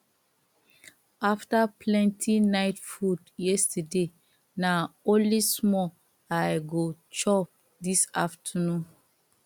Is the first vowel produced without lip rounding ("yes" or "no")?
yes